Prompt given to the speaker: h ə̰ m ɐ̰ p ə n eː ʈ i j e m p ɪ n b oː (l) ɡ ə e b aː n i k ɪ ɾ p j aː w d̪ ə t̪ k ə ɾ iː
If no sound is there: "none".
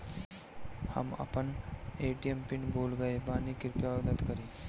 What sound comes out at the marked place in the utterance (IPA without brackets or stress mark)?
l